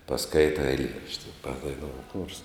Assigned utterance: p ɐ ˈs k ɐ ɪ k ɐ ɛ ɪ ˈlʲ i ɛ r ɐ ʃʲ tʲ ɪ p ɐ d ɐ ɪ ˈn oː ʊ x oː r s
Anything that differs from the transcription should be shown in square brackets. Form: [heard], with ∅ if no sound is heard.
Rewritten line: p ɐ ˈs k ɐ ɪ [t] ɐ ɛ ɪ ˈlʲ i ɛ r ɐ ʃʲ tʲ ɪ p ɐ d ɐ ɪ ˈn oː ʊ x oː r s